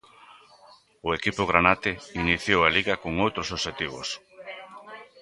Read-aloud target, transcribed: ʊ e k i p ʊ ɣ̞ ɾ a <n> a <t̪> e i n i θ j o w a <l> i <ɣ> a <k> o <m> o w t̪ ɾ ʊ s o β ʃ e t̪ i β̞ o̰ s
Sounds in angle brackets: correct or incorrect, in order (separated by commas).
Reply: correct, correct, correct, correct, correct, incorrect